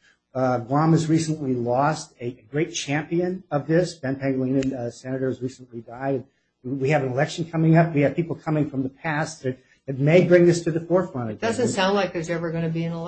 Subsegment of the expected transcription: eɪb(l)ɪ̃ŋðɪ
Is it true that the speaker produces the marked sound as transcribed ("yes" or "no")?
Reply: no